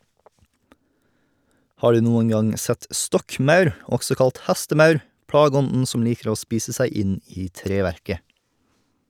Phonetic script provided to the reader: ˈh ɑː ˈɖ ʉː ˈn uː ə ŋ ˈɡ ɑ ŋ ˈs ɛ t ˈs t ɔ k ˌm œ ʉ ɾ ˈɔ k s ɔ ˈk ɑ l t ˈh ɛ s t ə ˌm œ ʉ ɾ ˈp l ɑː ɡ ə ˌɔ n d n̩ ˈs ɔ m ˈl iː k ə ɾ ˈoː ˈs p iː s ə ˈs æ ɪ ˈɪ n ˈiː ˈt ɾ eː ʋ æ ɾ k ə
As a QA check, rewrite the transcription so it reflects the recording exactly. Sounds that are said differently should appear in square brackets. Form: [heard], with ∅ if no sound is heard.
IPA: ˈh ɑː ˈɖ ʉː ˈn uː ə ŋ ˈɡ ɑ ŋ ˈs ɛ t ˈs t ɔ k ˌm œ ʉ ɾ ˈɔ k s ɔ ˈk ɑ l t ˈh [æ] s t ə ˌm œ ʉ ɾ ˈp [ɽ] ɑː ɡ ə ˌɔ n d n̩ ˈs ɔ m ˈl iː k ə ɾ ˈoː ˈs p iː s ə ˈs æ ɪ ˈɪ n ˈiː ˈt ɾ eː ʋ æ ɾ k ə